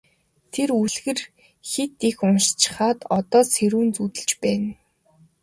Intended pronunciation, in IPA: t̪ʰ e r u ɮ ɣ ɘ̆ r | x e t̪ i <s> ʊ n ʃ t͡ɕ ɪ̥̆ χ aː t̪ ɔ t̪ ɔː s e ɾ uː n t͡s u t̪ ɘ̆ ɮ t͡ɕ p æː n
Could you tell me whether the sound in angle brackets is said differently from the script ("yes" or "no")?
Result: yes